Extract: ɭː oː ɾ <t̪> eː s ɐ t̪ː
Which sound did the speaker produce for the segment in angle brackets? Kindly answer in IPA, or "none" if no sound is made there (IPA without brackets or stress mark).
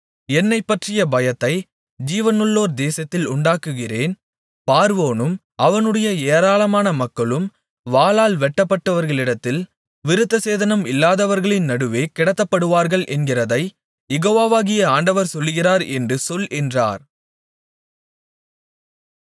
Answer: d̪